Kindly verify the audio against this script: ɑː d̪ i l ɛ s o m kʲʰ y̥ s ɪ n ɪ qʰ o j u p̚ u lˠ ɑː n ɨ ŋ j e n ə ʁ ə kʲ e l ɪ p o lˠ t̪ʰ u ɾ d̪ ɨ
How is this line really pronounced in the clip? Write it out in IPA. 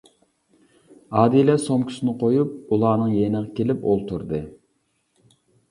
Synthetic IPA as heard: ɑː d̪ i l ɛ s o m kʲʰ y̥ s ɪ n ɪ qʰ o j u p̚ u lˠ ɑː n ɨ ŋ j e n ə ʁ ɑ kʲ e l ɪ p o lˠ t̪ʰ u ɾ d̪ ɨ